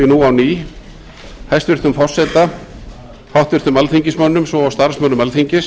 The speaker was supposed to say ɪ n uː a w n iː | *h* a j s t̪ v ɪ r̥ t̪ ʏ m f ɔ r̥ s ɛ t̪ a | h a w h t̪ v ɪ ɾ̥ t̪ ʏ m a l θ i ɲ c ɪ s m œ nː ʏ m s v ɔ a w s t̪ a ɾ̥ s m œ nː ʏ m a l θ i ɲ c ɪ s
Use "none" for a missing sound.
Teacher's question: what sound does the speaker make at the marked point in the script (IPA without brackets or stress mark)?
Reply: h